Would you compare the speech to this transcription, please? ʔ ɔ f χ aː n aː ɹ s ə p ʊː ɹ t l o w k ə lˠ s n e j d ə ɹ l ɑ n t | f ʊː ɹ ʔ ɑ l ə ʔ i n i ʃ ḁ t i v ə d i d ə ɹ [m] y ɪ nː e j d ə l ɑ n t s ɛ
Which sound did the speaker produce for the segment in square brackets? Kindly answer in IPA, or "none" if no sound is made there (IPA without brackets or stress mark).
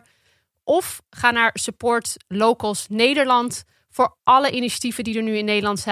n